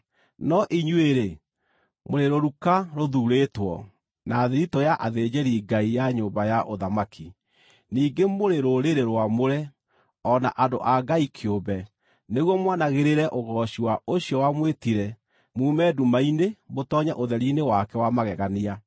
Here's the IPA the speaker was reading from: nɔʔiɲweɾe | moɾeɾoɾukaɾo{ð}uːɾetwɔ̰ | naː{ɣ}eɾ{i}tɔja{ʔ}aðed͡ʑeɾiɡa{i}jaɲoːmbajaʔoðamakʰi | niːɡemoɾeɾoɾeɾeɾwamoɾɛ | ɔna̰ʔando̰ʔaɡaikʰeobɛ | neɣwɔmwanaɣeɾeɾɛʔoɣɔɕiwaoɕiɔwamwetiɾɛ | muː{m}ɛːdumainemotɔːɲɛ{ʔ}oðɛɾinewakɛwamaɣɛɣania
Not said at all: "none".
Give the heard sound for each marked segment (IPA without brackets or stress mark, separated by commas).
ð, ð, i, ʔ, i, m, ʔ